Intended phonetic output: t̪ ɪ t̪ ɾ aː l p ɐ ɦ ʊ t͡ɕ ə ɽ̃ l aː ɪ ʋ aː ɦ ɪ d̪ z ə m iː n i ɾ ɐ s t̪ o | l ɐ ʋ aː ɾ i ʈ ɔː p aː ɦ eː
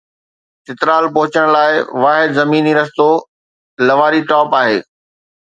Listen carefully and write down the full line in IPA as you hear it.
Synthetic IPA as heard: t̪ ɪ t̪ ɾ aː l p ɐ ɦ ʊ t͡ɕ ə ɽ̃ l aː ɪ ʋ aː ɦ ɪ d̪ z ɐ m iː n i ɾ ɐ s t̪ o | l ɐ ʋ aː ɾ i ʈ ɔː p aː ɦ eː